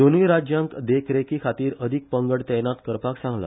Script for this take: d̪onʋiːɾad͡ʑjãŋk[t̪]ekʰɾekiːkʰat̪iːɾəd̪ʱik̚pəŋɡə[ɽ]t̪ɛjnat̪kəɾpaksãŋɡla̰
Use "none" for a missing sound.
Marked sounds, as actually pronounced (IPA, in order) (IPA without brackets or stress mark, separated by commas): d̪, ɽ